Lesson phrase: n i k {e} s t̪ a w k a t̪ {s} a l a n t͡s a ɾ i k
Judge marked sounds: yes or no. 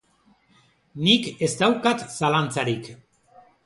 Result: yes, yes

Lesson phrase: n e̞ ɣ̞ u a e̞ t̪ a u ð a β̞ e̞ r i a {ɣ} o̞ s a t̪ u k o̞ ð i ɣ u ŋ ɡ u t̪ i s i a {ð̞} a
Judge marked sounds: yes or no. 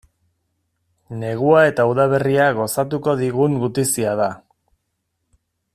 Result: yes, yes

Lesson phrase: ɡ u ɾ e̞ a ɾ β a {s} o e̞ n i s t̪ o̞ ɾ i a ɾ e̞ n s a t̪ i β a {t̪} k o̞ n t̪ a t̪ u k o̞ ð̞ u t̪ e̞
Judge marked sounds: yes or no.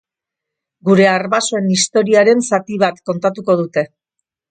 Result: yes, yes

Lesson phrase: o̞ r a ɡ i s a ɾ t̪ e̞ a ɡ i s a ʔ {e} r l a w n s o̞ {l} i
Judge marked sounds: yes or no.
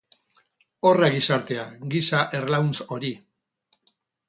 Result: yes, no

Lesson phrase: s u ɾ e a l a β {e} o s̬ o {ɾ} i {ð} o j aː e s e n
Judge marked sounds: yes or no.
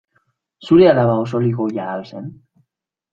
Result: no, no, no

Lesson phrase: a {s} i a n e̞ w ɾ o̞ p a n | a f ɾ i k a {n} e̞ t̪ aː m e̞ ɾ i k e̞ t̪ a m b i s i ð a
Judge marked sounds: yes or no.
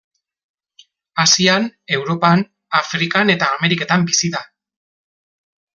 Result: yes, yes

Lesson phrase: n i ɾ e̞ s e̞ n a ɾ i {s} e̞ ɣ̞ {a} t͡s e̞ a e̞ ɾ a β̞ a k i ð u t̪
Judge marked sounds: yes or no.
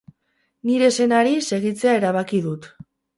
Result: yes, no

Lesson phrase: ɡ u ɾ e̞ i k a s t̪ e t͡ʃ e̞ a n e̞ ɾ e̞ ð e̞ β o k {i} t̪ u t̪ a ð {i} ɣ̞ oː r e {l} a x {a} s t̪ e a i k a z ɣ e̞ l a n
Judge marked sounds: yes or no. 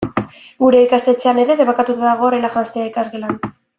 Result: no, no, yes, yes

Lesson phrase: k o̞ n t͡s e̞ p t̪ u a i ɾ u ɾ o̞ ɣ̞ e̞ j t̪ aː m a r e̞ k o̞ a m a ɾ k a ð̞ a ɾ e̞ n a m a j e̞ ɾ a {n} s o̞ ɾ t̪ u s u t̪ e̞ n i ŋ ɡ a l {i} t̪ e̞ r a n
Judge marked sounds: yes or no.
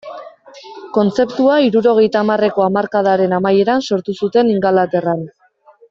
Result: yes, no

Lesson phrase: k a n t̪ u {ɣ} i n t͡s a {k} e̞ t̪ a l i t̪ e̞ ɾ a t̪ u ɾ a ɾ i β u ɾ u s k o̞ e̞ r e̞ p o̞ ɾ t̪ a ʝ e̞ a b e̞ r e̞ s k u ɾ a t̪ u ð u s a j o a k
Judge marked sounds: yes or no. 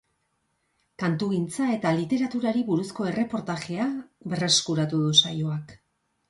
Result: yes, no

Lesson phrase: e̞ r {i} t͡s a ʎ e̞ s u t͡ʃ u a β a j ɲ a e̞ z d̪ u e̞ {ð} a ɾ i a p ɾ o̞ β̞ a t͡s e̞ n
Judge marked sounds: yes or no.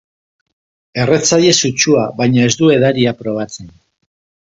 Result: no, yes

